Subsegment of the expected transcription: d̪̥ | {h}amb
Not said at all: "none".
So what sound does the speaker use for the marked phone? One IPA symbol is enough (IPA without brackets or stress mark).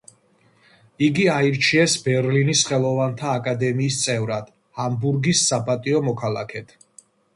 h